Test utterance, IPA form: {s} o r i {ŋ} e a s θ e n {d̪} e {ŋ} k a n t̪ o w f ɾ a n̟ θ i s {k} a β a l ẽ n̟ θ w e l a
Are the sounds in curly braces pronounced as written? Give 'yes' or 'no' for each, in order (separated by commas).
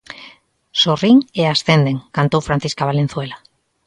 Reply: yes, yes, yes, yes, yes